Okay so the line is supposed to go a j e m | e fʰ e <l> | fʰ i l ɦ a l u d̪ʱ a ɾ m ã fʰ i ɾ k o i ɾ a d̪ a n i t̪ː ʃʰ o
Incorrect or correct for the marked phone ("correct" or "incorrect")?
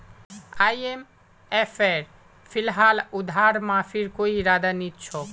incorrect